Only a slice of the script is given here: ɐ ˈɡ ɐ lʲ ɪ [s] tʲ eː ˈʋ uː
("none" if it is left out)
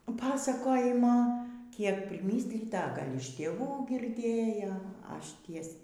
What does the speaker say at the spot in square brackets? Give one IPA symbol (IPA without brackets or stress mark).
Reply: ʃ